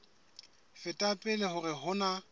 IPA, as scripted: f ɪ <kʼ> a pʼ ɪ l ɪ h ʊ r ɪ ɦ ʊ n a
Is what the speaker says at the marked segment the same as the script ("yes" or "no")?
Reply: no